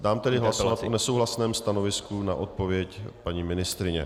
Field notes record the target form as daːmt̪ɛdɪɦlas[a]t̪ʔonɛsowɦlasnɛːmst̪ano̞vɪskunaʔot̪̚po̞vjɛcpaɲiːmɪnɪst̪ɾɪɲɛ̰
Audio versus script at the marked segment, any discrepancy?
no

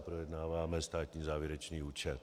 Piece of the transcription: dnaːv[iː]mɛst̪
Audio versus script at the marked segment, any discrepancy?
yes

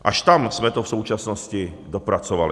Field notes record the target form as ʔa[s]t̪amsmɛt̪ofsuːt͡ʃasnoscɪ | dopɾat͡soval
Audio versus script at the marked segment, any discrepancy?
yes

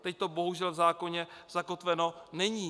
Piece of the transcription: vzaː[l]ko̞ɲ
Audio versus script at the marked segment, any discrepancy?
yes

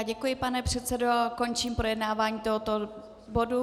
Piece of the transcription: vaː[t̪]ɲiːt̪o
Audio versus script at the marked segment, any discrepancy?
yes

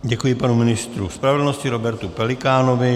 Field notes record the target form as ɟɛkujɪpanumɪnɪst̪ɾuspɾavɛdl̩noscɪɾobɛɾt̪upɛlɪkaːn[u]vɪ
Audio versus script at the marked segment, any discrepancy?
yes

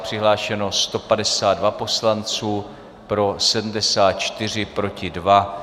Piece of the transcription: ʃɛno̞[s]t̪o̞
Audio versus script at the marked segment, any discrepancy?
no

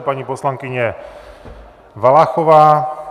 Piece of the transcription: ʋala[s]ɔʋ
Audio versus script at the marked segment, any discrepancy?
yes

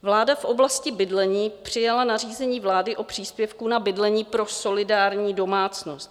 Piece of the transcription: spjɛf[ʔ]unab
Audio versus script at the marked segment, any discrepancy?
yes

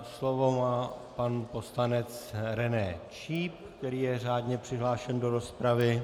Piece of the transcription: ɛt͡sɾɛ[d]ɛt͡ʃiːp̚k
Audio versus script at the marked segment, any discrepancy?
yes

